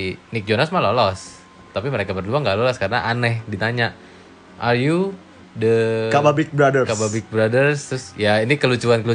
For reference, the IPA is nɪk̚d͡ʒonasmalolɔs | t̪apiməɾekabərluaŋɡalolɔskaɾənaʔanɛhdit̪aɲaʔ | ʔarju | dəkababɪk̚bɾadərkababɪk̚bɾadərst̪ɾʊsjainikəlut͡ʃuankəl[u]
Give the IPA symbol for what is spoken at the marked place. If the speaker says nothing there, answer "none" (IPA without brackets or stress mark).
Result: u